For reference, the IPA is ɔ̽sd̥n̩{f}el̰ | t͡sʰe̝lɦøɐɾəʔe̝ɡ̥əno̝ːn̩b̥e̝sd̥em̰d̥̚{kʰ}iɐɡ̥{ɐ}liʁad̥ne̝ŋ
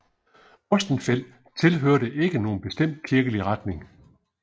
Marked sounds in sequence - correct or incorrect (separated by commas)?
correct, correct, incorrect